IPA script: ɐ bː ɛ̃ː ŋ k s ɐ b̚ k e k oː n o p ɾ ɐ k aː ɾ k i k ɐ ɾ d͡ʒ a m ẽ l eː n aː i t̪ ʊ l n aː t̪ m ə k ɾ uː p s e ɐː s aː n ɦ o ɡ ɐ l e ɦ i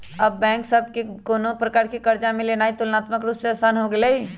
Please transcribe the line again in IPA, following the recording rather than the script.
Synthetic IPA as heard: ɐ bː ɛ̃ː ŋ k s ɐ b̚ k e k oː n o p ɾ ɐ k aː ɾ k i k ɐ ɾ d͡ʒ a m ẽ l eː n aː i t̪ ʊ l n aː t̪ m ə k ɾ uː p s e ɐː s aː n ɦ o ɡ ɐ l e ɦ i